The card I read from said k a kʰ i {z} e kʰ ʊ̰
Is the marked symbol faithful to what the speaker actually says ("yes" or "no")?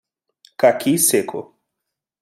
no